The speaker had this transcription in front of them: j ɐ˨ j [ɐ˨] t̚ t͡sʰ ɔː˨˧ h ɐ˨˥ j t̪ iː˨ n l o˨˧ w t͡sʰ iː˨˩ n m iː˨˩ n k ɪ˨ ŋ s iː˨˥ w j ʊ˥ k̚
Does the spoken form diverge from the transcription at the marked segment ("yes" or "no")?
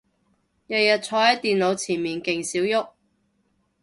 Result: no